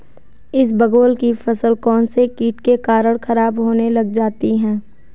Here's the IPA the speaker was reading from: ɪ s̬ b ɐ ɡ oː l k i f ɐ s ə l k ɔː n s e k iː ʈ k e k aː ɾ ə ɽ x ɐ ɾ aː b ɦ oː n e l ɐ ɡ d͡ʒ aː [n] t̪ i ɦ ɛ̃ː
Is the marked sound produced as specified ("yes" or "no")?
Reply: no